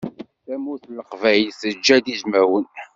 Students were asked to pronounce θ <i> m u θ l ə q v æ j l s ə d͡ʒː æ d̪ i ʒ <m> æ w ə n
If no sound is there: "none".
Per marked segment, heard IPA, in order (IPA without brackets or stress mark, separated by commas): æ, m